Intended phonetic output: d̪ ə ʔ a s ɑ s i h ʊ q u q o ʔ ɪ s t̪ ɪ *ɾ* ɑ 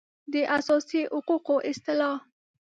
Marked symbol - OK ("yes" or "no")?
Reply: no